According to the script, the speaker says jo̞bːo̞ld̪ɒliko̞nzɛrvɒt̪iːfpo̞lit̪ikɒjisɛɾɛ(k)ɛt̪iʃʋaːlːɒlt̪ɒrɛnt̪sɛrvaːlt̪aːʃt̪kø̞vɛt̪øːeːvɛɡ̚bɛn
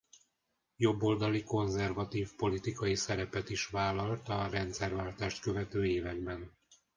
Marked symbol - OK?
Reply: no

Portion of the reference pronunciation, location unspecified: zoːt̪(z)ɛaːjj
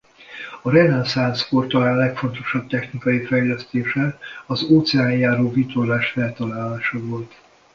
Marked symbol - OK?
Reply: no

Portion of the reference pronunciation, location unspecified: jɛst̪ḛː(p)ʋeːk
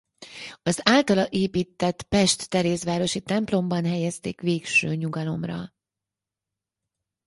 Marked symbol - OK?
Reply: no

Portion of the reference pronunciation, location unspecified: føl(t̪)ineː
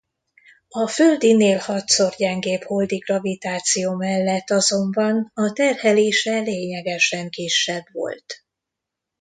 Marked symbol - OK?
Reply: no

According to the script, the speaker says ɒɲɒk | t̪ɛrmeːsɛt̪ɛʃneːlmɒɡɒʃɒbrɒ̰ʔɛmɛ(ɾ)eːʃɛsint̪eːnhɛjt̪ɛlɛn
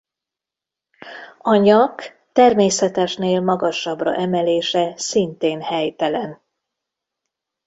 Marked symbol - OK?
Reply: no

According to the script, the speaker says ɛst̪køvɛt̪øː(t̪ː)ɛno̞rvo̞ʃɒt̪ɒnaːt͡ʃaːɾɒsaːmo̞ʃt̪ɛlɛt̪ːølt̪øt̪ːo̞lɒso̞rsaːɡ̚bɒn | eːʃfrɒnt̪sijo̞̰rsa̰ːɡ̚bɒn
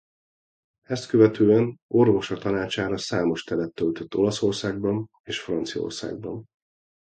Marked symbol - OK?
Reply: no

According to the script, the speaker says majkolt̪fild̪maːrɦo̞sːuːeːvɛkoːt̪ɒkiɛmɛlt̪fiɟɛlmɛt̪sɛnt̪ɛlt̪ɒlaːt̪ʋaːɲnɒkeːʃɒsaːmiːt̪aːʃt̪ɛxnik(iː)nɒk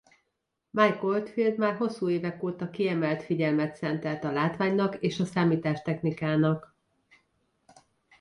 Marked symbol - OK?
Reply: no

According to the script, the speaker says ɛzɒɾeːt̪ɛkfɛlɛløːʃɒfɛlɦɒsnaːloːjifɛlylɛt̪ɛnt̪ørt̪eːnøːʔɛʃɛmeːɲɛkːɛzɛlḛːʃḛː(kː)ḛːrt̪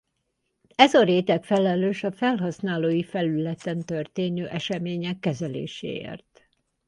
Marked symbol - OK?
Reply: no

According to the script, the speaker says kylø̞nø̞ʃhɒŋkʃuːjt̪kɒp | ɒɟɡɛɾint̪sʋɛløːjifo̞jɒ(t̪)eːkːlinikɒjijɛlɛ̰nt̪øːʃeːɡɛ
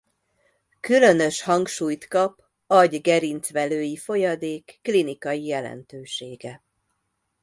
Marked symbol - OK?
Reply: no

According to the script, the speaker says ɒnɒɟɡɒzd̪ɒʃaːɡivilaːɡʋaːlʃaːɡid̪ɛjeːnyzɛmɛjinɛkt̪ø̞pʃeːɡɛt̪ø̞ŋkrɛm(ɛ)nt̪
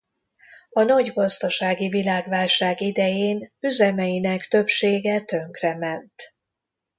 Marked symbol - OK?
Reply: yes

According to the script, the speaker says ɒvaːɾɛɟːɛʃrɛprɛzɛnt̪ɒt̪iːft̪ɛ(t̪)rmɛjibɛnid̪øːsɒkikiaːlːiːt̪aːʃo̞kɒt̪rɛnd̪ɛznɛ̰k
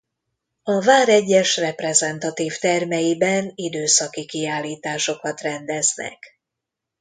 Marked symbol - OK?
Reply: no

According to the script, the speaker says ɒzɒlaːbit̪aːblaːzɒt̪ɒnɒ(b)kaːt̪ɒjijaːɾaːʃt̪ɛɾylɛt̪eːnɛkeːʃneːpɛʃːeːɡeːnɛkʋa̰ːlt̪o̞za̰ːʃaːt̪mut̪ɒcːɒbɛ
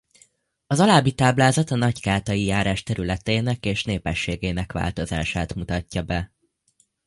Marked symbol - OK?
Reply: no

